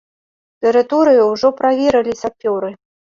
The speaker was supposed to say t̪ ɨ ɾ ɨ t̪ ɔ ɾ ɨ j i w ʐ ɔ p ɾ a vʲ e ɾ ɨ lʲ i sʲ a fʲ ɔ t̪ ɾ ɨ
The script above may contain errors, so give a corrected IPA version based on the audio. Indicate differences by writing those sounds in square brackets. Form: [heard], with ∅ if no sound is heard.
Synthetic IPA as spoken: t̪ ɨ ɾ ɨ t̪ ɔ ɾ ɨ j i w ʐ ɔ p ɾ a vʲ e ɾ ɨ lʲ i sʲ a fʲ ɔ [∅] ɾ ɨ